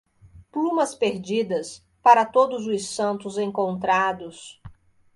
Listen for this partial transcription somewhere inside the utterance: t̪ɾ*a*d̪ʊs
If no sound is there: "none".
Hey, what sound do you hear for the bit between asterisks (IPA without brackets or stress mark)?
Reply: a